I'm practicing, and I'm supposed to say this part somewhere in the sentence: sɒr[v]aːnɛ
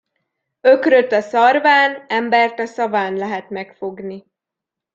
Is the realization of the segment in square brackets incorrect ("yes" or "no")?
no